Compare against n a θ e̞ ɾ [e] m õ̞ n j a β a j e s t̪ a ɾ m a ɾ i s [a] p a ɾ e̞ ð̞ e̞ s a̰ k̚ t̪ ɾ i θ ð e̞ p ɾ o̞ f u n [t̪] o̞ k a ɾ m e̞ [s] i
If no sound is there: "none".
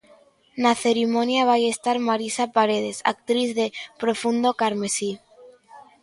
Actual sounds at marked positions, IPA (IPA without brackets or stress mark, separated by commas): i, a, d̪, s